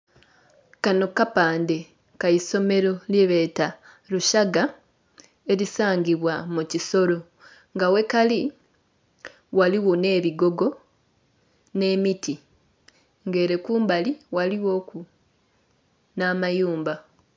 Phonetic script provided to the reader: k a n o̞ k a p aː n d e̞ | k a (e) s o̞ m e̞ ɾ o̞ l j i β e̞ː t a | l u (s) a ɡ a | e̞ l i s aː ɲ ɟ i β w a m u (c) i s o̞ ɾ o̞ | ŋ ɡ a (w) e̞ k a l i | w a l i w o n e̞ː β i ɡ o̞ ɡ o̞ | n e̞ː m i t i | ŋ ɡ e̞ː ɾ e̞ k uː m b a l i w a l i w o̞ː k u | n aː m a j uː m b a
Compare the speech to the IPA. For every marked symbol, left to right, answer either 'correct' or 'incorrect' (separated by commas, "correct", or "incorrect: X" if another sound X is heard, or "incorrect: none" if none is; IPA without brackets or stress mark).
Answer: incorrect: i, incorrect: ʃ, correct, correct